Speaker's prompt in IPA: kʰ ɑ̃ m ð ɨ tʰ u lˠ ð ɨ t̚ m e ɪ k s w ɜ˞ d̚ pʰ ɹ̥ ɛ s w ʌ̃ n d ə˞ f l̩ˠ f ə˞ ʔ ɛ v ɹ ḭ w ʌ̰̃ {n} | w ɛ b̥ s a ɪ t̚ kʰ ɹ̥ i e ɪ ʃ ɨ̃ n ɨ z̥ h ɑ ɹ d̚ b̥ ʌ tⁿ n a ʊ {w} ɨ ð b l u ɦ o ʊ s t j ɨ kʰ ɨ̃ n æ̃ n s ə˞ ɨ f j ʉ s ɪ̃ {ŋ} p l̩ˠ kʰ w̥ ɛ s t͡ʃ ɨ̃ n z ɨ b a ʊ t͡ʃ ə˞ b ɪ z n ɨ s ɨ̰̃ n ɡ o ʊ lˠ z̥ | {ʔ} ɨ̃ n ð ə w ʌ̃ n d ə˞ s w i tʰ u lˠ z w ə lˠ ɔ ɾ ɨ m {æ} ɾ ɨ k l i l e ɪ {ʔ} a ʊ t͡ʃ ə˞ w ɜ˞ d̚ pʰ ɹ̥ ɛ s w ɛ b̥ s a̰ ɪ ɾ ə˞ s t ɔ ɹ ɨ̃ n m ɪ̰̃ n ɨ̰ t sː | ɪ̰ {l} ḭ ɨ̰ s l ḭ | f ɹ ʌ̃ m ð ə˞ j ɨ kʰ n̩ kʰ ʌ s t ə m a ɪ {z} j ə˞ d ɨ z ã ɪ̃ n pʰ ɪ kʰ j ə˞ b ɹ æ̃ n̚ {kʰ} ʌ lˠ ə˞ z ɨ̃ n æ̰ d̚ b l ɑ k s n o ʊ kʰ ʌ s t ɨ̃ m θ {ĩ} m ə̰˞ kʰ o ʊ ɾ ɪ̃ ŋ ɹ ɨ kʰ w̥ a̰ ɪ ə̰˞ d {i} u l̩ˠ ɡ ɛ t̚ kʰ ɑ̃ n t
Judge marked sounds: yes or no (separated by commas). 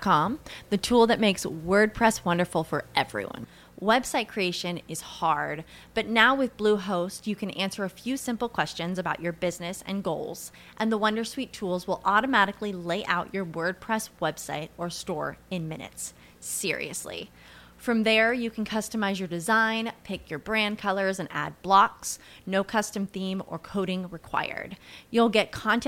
yes, yes, no, yes, yes, yes, no, yes, yes, yes, no